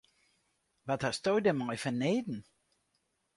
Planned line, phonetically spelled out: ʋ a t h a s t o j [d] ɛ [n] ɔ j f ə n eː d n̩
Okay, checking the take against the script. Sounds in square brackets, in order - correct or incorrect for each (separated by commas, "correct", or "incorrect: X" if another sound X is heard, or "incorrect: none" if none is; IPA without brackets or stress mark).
correct, incorrect: m